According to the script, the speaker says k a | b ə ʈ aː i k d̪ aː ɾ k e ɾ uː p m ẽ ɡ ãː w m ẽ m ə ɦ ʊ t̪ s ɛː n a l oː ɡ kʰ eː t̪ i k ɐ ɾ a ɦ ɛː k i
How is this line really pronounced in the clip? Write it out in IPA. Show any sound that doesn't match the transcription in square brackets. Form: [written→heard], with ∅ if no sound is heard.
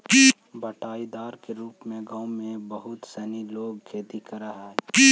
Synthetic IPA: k [a→i] | b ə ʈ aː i [k→∅] d̪ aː ɾ k e ɾ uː p m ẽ ɡ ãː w m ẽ [m→b] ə ɦ ʊ t̪ s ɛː n [a→i] l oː ɡ kʰ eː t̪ i k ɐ ɾ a ɦ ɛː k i